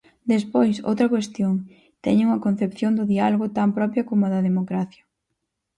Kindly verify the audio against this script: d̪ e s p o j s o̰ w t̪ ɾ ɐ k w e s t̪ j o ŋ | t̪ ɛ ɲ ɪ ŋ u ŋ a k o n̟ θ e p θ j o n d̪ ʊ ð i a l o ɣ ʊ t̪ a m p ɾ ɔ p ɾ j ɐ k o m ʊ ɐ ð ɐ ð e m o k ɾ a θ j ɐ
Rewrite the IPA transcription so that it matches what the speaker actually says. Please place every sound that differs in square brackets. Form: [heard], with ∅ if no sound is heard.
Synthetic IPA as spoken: d̪ e s p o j s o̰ w t̪ ɾ ɐ k w e s t̪ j o ŋ | t̪ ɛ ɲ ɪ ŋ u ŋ [ɐ] k o n̟ θ e p θ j o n d̪ ʊ ð i a l o ɣ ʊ t̪ a m p ɾ ɔ p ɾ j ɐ k o m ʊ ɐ ð ɐ ð e m o k ɾ a θ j ɐ